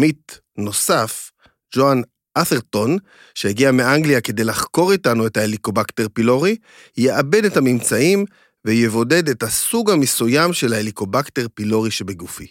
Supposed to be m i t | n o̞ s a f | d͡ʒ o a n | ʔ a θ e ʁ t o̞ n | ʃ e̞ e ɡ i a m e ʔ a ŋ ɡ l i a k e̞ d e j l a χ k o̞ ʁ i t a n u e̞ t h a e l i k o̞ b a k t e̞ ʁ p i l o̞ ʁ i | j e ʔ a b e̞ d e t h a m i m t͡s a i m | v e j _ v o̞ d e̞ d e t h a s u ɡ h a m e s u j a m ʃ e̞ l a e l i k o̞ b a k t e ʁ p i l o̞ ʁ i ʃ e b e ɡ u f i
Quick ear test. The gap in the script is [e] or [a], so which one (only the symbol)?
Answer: e